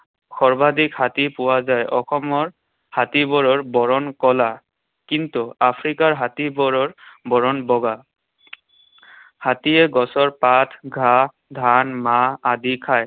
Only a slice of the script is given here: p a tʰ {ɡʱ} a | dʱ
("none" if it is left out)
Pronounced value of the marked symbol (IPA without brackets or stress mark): ɡʱ